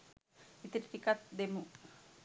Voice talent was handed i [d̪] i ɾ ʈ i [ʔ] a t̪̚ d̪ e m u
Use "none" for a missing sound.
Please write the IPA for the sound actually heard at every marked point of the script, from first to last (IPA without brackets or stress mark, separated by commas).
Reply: t̪, k